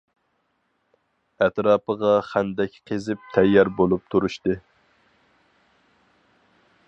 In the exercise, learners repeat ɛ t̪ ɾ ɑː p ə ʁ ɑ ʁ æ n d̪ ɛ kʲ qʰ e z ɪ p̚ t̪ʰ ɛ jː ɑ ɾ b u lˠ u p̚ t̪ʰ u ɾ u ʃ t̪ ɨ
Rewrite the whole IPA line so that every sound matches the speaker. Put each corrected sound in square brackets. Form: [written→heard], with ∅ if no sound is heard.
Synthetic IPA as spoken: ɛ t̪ ɾ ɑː p ə ʁ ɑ [ʁ→χ] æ n d̪ ɛ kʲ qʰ e z ɪ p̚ t̪ʰ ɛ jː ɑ ɾ b [u→o] lˠ u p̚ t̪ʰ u ɾ u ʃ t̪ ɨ